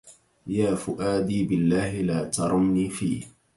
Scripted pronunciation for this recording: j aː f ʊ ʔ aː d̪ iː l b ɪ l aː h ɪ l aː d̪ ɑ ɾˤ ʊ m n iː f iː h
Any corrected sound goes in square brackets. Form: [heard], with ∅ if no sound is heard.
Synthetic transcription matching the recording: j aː f ʊ ʔ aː d̪ iː [∅] b ɪ [lː] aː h ɪ l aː [t̪] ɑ ɾˤ ʊ m n iː f iː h